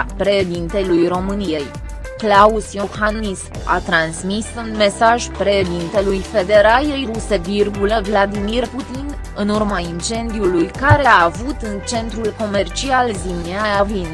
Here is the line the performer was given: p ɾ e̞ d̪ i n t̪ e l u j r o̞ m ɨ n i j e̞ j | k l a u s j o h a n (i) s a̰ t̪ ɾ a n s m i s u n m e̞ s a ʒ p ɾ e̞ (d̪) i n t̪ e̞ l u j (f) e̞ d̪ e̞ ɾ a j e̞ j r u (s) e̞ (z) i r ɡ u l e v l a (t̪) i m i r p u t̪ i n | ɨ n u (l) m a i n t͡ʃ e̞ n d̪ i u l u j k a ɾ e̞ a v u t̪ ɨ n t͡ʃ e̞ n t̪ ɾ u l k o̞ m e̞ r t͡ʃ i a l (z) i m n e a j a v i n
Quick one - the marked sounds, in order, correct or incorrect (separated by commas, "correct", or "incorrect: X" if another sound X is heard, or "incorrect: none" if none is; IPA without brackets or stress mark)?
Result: correct, correct, correct, correct, incorrect: v, incorrect: d̪, incorrect: r, correct